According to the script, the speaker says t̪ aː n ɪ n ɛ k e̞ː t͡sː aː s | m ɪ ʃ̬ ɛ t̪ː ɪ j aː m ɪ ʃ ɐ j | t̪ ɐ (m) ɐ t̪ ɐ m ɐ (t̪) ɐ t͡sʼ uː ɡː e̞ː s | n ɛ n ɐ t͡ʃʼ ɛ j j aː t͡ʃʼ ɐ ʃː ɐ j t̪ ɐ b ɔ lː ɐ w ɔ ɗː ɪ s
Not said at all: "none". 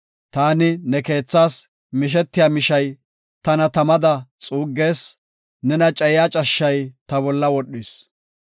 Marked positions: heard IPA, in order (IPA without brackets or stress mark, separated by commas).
n, d̪